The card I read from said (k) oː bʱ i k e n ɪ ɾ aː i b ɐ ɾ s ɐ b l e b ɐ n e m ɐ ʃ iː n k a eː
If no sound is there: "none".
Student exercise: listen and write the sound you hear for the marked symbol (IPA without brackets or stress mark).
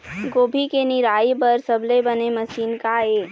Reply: ɡ